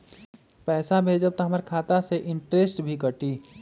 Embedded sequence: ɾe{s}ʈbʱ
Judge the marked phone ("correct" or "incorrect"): correct